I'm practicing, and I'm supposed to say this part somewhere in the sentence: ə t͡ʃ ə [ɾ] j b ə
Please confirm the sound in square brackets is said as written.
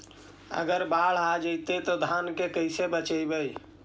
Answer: no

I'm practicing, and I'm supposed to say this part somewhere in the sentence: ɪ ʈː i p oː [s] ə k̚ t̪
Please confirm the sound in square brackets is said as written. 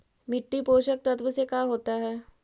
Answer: no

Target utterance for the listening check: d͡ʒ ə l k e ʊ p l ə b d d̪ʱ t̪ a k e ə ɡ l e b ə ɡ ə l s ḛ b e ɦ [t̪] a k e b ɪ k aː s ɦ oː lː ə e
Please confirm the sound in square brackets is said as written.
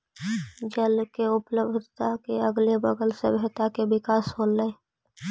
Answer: yes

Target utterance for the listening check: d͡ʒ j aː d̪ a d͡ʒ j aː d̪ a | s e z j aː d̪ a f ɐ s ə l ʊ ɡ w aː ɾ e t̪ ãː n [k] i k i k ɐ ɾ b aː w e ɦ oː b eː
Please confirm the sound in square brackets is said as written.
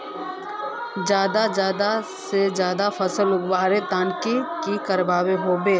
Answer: yes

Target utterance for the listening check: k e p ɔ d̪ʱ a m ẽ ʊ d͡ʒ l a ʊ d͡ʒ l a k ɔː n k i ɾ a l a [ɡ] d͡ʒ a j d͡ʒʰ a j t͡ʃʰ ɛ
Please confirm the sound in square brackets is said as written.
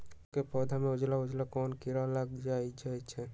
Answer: yes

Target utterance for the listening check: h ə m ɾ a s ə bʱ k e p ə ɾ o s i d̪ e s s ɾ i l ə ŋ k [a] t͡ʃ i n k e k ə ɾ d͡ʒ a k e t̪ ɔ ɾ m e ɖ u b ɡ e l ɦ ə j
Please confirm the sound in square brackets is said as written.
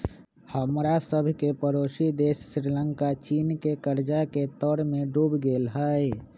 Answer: yes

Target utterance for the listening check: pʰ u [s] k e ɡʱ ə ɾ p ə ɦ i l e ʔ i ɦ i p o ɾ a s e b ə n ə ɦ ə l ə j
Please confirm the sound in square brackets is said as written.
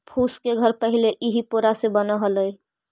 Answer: yes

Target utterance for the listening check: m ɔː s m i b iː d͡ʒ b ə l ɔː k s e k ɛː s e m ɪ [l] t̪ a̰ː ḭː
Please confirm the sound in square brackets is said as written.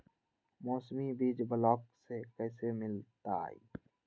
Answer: yes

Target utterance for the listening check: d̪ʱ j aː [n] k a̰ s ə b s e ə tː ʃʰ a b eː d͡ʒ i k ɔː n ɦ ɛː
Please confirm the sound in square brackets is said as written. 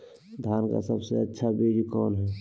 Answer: yes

